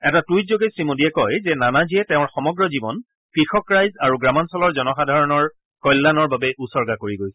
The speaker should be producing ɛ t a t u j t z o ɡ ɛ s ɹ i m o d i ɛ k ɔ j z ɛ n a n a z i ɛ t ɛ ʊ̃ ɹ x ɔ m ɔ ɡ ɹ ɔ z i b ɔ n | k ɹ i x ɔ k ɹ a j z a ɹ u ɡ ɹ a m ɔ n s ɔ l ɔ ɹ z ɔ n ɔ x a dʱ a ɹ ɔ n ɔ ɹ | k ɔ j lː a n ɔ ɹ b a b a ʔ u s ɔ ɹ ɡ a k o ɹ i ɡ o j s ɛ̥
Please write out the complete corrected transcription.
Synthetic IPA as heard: ɛ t a t u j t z o ɡ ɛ s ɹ i m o d i ɛ k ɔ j z ɛ n a n a z i ɛ t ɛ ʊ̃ ɹ x ɔ m ɔ ɡ ɹ ɔ z i b ɔ n | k ɹ i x ɔ k ɹ a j z a ɹ u ɡ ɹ a m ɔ n s ɔ l ɔ ɹ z ɔ n ɔ x a dʱ a ɹ ɔ n ɔ ɹ | k ɔ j lː a n ɔ ɹ b a b ɛ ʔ u s ɔ ɹ ɡ a k o ɹ i ɡ o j s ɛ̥